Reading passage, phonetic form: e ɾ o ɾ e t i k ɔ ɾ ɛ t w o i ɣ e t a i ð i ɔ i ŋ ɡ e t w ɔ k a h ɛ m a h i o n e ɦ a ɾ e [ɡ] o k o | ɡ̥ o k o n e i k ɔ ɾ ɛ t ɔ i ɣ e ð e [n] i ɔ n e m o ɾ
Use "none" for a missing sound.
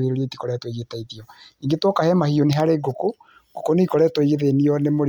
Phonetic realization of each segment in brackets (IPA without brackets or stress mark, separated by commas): ɡ, n